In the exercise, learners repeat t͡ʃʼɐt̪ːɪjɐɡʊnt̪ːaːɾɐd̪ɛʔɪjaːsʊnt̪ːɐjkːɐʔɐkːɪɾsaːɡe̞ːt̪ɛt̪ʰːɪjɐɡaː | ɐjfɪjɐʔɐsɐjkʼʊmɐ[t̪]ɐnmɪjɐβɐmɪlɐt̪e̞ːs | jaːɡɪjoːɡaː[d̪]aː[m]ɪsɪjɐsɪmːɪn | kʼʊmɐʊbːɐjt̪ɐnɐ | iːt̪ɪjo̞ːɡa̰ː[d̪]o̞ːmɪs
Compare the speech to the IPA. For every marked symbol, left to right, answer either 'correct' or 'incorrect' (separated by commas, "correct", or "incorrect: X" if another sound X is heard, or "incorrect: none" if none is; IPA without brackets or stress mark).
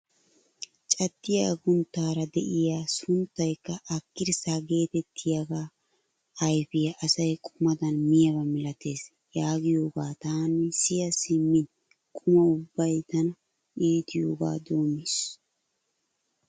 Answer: incorrect: d̪, incorrect: t̪, incorrect: n, correct